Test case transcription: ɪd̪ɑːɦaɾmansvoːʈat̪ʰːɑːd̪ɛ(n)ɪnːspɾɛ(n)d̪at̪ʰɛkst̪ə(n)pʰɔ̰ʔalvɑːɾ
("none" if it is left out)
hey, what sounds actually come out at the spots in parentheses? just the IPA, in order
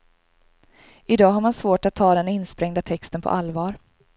n, ŋ, n

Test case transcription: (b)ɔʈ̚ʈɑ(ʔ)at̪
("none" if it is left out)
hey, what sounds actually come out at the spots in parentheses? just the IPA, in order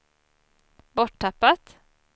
b, p

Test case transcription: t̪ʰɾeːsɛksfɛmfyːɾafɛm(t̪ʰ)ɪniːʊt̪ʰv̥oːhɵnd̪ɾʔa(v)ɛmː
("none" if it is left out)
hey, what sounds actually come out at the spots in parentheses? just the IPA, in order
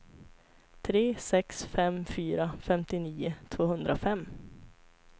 t̪, f

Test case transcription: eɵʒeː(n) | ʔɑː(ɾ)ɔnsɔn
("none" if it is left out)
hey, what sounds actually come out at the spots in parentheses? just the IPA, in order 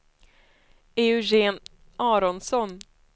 n, ɾ

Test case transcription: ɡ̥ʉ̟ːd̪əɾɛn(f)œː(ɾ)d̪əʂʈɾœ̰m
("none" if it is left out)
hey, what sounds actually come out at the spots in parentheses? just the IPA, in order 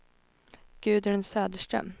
s, none

